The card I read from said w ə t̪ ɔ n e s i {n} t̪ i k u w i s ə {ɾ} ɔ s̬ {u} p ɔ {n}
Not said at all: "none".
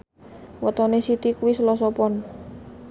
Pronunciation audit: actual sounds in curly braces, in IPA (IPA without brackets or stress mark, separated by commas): none, l, ɔ, n